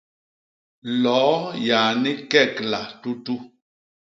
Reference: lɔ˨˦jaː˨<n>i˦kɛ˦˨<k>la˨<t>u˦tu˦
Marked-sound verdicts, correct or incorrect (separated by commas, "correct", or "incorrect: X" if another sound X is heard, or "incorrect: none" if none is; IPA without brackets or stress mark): correct, correct, correct